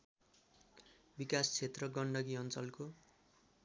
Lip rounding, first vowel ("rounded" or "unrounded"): unrounded